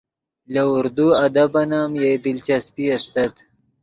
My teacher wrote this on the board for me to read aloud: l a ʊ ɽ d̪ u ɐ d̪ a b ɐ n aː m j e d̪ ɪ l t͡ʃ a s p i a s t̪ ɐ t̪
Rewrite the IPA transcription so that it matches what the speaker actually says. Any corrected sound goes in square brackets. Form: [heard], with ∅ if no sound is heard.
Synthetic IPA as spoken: l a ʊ [ɾ] d̪ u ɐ d̪ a b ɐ n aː m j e d̪ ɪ l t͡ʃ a s p i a s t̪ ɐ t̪